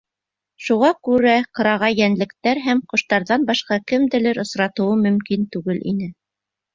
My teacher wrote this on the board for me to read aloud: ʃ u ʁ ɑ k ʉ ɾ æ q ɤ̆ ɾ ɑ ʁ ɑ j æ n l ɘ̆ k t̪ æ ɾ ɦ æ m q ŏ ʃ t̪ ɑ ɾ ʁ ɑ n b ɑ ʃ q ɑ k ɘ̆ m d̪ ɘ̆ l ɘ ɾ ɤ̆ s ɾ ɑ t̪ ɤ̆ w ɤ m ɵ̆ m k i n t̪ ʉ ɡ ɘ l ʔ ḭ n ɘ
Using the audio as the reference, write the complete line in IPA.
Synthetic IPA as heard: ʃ u ʁ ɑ k ʉ ɾ æ q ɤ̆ ɾ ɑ ʁ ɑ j æ n l ɘ̆ k t̪ æ ɾ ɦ æ m q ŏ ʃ t̪ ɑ ɾ ð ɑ n b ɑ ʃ q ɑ k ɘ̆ m d̪ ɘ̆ l ɘ ɾ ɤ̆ s ɾ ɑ t̪ ɤ̆ w ɤ m ɵ̆ m k i n t̪ ʉ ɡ ɘ l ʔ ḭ n ɘ